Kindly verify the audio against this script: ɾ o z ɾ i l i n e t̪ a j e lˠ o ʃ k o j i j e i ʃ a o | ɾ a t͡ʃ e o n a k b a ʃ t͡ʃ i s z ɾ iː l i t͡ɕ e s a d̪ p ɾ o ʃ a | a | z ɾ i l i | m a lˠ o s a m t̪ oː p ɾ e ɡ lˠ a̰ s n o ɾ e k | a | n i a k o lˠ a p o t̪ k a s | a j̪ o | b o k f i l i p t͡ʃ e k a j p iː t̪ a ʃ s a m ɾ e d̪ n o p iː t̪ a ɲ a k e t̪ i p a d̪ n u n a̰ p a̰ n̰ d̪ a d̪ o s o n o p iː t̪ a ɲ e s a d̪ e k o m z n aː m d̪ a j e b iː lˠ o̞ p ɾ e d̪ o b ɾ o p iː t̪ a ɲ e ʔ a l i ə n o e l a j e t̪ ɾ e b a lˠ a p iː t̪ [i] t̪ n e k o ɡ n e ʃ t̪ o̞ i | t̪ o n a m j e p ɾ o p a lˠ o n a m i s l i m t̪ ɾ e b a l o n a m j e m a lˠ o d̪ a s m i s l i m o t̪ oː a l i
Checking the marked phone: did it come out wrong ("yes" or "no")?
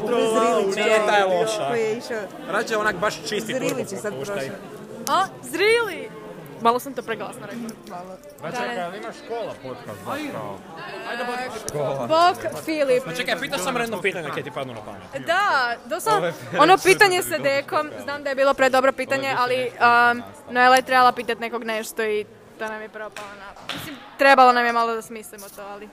yes